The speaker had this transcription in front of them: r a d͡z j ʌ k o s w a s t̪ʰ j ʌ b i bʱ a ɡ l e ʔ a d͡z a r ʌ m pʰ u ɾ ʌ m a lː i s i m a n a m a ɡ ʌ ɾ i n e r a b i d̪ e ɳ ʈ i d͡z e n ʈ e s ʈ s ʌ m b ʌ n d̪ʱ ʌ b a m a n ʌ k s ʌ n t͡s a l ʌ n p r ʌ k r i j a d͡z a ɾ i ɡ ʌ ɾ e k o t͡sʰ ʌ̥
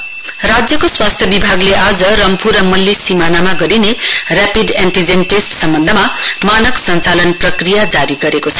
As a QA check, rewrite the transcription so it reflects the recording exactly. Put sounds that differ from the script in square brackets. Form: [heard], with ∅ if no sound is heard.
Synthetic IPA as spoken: r a d͡z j ʌ k o s w a s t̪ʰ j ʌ b i bʱ a ɡ l e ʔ a d͡z [ʌ] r ʌ m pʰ u ɾ ʌ m [ʌ] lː i s i m a n a m a ɡ ʌ ɾ i n e r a [p] i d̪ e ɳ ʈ i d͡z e n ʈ e s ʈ s ʌ m b ʌ n d̪ʱ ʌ [m] a m a n ʌ k s ʌ n t͡s a l ʌ n p r ʌ k r i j a d͡z a ɾ i ɡ ʌ ɾ e k o t͡sʰ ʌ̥

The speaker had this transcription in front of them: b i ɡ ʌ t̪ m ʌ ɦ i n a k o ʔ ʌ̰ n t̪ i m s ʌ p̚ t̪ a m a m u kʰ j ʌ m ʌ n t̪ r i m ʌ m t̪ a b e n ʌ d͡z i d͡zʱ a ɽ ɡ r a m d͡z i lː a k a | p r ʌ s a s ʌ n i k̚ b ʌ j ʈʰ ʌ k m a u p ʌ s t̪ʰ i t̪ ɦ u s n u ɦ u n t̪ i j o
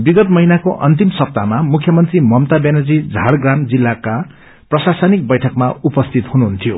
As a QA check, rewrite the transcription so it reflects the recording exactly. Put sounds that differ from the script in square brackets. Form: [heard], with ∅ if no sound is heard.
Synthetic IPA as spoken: b i ɡ ʌ t̪ m ʌ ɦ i n a k o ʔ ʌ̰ n t̪ i m s ʌ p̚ t̪ a m a m u kʰ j ʌ m ʌ n t̪ r i m ʌ m t̪ a b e n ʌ d͡z i d͡zʱ a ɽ ɡ r a m d͡z i lː a k a | p r ʌ s a s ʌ n i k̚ b ʌ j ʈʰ ʌ k m a u p ʌ s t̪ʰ i t̪ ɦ u [∅] n u ɦ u n [t̪ʰ] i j o

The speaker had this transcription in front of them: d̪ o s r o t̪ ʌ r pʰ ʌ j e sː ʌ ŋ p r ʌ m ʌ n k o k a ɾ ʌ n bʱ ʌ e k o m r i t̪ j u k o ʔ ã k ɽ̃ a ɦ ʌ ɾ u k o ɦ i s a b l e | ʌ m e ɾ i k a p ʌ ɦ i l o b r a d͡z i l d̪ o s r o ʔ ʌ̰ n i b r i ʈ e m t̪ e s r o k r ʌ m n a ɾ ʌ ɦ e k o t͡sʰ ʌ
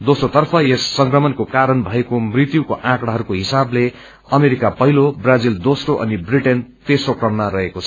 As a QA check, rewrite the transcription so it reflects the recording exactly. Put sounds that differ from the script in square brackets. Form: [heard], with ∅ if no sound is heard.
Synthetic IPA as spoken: d̪ o s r o t̪ ʌ r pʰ ʌ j e sː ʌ ŋ [k] r ʌ m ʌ n k o k a ɾ ʌ n bʱ ʌ e k o m r i t̪ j u k o ʔ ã k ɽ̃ a ɦ ʌ ɾ u k o ɦ i s a b l e | ʌ m e ɾ i k a p ʌ ɦ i l o b r a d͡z i l d̪ o s r o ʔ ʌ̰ n i b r i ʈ e [n] t̪ e s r o k r ʌ m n a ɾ ʌ ɦ e k o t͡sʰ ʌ

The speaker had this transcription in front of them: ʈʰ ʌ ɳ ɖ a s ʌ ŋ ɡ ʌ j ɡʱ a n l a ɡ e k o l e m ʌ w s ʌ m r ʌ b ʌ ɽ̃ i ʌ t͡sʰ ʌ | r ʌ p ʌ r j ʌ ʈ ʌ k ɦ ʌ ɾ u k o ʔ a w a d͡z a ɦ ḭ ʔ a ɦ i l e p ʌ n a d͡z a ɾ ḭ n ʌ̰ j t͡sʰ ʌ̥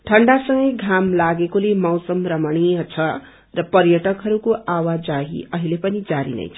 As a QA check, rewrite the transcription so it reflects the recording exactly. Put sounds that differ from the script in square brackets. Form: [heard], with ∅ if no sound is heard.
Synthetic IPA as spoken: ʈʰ ʌ ɳ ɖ a s ʌ ŋ ɡ ʌ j ɡʱ a [m] l a ɡ e k o l e m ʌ w s ʌ m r ʌ [m] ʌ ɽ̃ i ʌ t͡sʰ ʌ | r ʌ p ʌ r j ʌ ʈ ʌ k ɦ ʌ ɾ u k o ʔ a w a d͡z a ɦ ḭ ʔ [ʌ] ɦ i l e p ʌ n [i] d͡z a ɾ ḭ n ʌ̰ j t͡sʰ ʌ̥

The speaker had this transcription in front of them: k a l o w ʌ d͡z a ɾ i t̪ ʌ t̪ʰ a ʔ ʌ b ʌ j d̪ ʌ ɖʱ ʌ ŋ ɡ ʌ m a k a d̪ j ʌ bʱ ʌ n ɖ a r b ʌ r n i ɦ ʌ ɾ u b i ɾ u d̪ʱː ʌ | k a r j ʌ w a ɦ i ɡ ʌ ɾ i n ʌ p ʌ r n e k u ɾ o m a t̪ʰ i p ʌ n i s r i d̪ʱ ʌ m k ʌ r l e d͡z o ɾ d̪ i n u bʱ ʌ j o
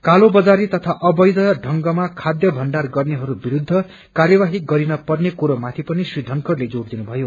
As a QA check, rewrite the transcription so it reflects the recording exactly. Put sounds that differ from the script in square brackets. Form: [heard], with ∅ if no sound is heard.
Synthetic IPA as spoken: k a l o [b] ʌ d͡z a ɾ i t̪ ʌ t̪ʰ a ʔ ʌ b ʌ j d̪ ʌ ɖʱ ʌ ŋ ɡ ʌ m a [kʰ] a d̪ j ʌ bʱ ʌ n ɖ a r [ɡ] ʌ r n [e] ɦ ʌ ɾ u b i ɾ u d̪ʱː ʌ | k a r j ʌ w a ɦ i ɡ ʌ ɾ i n ʌ p ʌ r n e k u ɾ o m a t̪ʰ i p ʌ n i s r i d̪ʱ ʌ [ŋ] k ʌ r l e d͡z o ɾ d̪ i n u bʱ ʌ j o

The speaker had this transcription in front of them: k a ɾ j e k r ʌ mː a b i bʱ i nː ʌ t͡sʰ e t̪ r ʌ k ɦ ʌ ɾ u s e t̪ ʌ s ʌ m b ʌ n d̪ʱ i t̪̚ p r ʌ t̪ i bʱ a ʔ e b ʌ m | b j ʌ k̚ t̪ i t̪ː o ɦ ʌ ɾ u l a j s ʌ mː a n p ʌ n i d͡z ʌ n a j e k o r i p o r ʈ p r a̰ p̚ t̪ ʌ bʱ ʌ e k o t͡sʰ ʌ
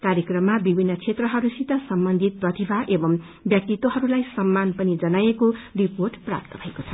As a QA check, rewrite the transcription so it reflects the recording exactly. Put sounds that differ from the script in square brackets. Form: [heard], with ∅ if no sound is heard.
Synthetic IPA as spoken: k a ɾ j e k r ʌ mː a b i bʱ i nː ʌ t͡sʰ e t̪ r ʌ [∅] ɦ ʌ ɾ u s [i] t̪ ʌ s ʌ m b ʌ n d̪ʱ i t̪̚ p r ʌ t̪ i bʱ a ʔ e b ʌ m | b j ʌ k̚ t̪ i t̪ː o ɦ ʌ ɾ u l a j s ʌ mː a n p ʌ n i d͡z ʌ n a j e k o r i p o r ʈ p r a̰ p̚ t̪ ʌ bʱ ʌ e k o t͡sʰ ʌ

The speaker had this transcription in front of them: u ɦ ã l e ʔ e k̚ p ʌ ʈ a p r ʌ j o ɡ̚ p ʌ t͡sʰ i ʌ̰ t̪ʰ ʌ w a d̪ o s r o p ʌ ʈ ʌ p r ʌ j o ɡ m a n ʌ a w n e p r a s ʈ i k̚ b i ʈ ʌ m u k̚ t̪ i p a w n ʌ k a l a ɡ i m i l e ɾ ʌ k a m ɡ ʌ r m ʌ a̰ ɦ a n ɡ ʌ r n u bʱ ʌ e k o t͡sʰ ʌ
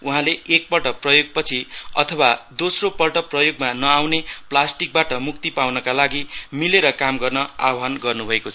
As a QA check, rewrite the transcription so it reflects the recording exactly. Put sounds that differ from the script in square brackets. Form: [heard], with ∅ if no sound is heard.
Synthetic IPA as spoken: u ɦ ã l e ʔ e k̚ p ʌ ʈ [ʌ] p r ʌ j o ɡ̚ p ʌ t͡sʰ i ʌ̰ t̪ʰ ʌ w a d̪ o s r o p ʌ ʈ ʌ p r ʌ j o ɡ m a n ʌ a w n e p [l] a s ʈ i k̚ b [a] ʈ ʌ m u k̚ t̪ i p a w n ʌ k a l a ɡ i m i l e ɾ ʌ k a m ɡ ʌ r [n] ʌ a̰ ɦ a n ɡ ʌ r n u bʱ ʌ e k o t͡sʰ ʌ

